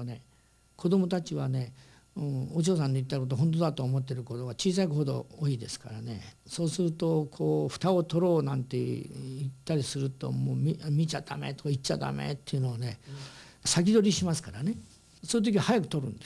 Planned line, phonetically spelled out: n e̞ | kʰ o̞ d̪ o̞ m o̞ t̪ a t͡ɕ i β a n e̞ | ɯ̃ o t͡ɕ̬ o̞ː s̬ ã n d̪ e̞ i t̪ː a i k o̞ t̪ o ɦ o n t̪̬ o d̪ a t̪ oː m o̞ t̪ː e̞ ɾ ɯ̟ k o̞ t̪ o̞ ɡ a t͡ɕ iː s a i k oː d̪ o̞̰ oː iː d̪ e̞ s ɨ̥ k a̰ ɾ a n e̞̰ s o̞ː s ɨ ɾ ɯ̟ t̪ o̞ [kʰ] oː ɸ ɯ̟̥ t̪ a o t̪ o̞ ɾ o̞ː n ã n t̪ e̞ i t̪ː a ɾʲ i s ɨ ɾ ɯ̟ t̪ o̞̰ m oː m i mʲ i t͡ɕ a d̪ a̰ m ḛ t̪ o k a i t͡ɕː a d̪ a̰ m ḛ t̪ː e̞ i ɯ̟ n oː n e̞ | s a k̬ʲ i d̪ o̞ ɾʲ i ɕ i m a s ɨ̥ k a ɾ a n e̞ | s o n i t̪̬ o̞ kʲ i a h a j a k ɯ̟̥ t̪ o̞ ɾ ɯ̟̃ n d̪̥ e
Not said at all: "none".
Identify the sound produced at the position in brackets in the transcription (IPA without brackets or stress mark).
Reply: kʰ